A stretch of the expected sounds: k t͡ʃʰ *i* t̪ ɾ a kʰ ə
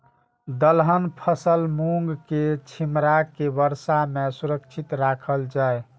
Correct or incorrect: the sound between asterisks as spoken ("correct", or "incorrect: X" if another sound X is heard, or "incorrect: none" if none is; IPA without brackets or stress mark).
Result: correct